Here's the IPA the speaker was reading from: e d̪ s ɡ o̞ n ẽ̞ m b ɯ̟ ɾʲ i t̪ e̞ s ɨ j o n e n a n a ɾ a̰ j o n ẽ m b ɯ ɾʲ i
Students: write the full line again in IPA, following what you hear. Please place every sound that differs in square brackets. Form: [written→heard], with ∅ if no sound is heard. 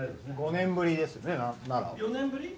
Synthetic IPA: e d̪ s ɡ o̞ n ẽ̞ m b ɯ̟ ɾʲ i [t̪→d̪] e̞ s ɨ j o n e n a n a ɾ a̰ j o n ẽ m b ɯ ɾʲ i